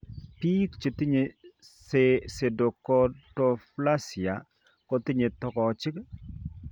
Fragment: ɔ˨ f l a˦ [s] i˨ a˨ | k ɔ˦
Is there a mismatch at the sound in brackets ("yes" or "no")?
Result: no